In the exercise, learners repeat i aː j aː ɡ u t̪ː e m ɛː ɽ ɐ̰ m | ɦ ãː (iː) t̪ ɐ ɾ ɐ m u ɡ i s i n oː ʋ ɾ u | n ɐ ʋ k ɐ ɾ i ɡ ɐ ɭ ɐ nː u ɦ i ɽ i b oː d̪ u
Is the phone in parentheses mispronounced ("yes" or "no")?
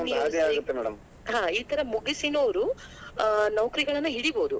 no